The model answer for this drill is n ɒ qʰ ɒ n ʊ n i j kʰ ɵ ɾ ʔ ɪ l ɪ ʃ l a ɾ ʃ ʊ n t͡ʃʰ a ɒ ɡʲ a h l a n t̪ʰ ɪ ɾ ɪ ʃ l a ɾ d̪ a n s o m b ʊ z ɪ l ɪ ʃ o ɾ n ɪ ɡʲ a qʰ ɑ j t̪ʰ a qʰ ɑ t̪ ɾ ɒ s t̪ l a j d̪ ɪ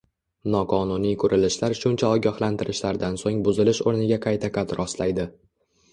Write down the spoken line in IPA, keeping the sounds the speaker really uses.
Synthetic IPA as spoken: n ɒ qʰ ɒ n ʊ n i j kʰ ɵ ɾ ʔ ɪ l ɪ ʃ l a ɾ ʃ ʊ n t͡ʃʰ a ɒ ɡʲ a h l a n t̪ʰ ɪ ɾ ɪ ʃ l a ɾ d̪ a n s o ŋ b ʊ z ɪ l ɪ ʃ o ɾ n ɪ ɡʲ a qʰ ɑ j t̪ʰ a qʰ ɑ t̪ ɾ ɒ s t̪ l a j d̪ ɪ